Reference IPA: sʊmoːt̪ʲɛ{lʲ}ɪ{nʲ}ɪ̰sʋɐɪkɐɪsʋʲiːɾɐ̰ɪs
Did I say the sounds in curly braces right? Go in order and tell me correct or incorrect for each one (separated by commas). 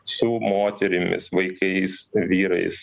incorrect, incorrect